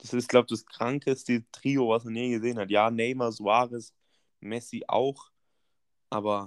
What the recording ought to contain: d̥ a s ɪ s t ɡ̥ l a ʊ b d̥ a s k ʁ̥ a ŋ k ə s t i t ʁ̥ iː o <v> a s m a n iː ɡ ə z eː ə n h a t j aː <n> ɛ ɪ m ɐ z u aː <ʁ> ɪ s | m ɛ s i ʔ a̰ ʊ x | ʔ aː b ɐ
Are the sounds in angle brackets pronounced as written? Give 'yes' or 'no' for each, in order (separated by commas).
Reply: yes, yes, yes